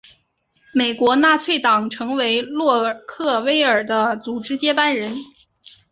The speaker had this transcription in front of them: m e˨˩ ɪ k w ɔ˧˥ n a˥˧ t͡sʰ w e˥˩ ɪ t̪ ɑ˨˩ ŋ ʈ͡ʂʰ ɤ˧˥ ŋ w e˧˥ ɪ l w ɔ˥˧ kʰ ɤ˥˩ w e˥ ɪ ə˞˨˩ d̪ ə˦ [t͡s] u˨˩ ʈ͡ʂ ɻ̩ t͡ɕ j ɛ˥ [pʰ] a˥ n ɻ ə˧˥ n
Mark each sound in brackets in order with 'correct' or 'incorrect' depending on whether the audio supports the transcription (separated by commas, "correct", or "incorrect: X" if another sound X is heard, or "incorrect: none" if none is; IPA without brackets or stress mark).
correct, incorrect: p